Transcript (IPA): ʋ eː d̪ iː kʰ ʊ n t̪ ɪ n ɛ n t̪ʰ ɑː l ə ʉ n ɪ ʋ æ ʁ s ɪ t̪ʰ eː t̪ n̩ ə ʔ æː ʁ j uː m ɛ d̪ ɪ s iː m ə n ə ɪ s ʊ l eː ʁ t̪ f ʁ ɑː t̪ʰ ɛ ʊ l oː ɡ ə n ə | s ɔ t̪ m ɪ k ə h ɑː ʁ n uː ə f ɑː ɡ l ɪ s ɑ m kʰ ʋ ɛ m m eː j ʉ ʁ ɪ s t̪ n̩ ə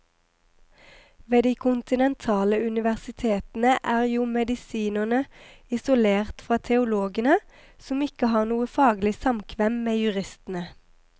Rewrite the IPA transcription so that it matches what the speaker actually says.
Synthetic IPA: ʋ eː d̪ iː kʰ ʊ n t̪ ɪ n ɛ n t̪ʰ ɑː l ə ʉ n ɪ ʋ æ ʁ s ɪ t̪ʰ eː t̪ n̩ ə ʔ æː ʁ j uː m ɛ d̪ ɪ s iː n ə n ə ɪ s ʊ l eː ʁ t̪ f ʁ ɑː t̪ʰ ɛ ʊ l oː ɡ ə n ə | s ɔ m ɪ k ə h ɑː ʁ n uː ə f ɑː ɡ l ɪ s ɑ m kʰ ʋ ɛ m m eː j ʉ ʁ ɪ s t̪ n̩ ə